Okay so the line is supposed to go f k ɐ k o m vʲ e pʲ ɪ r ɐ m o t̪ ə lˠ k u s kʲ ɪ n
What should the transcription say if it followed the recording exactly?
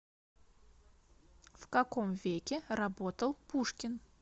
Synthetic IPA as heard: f k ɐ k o m vʲ e kʲ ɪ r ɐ b o t̪ ə lˠ p u ʂ kʲ ɪ n